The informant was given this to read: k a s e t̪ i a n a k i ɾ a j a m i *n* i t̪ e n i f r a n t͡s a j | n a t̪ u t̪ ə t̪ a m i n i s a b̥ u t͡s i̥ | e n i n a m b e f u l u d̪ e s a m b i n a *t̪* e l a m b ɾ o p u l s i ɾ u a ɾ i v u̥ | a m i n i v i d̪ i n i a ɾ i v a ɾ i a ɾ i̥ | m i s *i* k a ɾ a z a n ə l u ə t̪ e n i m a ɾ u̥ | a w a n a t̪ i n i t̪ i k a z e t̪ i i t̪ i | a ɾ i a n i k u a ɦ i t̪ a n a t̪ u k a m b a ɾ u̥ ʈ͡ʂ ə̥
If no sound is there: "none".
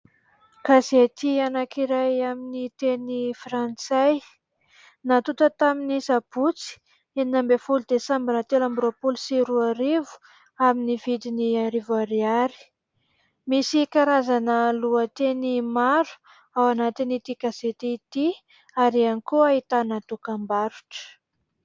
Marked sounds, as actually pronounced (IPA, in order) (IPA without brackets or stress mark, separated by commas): n, t̪, i